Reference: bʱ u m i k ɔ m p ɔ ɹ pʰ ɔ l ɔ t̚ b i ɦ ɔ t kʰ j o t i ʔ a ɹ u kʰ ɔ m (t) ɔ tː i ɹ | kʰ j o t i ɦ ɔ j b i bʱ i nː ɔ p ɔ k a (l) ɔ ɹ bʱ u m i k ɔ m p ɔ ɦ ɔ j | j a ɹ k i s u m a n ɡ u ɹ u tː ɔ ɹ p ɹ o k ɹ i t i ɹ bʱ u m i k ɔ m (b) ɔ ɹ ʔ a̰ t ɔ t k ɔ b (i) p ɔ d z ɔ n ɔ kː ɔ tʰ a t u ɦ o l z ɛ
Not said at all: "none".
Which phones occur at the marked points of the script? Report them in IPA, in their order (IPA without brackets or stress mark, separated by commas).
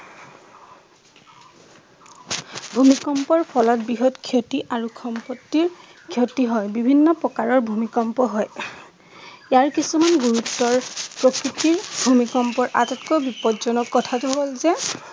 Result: p, ɹ, p, i